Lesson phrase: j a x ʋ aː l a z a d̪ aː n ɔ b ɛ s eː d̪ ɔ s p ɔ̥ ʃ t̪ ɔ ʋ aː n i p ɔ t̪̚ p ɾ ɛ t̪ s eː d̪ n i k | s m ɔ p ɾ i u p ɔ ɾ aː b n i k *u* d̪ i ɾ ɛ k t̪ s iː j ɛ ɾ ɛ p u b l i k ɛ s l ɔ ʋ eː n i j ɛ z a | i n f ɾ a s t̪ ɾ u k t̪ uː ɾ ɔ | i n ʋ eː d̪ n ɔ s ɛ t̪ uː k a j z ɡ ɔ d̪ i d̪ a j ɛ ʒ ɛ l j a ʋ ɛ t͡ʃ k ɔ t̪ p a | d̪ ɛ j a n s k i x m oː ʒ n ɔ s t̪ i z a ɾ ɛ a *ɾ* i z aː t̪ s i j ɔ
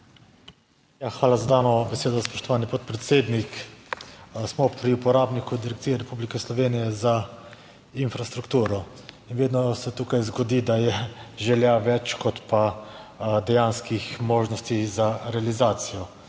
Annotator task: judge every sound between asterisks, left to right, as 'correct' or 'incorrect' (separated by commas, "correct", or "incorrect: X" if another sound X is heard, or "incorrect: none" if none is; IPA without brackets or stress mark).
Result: correct, incorrect: l